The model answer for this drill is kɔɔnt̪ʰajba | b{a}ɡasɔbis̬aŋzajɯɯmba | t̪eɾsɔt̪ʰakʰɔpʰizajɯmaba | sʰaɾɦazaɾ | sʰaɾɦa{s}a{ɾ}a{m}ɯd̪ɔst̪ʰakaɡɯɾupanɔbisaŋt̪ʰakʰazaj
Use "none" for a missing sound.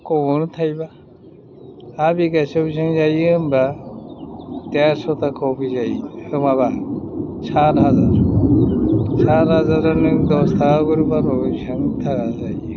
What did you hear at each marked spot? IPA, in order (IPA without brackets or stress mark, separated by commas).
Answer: i, z, ɾ, n